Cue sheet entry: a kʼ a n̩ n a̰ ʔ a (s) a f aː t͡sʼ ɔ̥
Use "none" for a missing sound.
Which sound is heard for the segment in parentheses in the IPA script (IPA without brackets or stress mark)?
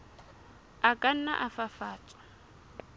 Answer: f